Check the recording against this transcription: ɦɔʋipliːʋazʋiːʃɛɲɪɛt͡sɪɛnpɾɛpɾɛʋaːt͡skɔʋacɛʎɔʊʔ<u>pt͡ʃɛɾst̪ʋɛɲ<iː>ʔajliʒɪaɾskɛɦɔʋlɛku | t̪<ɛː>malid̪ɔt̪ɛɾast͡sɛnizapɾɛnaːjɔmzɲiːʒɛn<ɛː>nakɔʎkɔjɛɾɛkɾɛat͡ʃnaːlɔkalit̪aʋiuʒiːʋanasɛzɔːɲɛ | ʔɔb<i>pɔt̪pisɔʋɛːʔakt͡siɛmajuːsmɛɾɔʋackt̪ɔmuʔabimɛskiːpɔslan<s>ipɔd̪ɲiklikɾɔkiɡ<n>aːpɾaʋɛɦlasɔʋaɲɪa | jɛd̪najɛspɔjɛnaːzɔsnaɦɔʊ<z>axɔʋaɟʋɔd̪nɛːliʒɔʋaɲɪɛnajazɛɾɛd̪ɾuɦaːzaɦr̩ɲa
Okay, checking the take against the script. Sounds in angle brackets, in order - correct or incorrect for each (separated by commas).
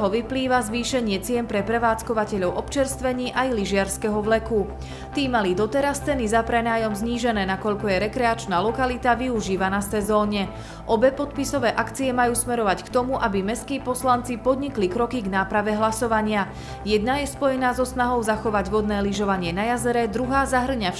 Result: incorrect, correct, incorrect, correct, incorrect, incorrect, correct, correct